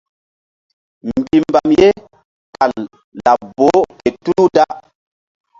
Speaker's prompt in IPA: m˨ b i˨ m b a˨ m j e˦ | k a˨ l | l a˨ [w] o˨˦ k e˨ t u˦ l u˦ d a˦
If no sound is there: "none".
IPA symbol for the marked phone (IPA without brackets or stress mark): b